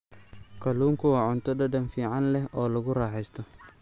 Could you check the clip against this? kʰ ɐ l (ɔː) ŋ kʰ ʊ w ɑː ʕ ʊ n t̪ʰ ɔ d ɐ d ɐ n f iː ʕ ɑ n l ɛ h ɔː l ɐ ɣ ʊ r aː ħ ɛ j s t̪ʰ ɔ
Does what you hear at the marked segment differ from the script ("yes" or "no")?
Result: yes